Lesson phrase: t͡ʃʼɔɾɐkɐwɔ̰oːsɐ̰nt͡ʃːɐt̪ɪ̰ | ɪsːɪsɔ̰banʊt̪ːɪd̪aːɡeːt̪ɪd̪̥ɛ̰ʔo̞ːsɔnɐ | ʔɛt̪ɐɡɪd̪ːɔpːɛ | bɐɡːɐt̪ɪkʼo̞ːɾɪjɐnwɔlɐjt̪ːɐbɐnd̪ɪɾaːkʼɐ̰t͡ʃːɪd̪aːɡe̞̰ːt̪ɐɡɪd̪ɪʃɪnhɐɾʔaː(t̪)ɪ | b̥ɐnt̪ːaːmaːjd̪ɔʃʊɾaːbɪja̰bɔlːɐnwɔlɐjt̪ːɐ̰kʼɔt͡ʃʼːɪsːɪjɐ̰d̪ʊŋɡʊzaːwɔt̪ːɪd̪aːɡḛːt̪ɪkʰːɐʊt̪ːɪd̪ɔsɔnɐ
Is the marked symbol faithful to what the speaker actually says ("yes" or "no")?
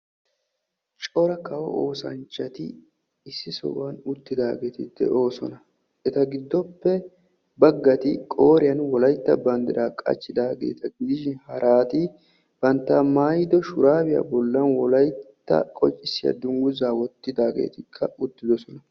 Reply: yes